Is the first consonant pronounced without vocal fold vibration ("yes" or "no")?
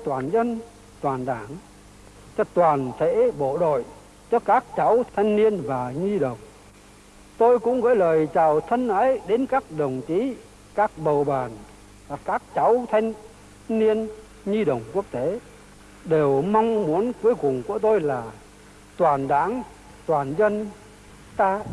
yes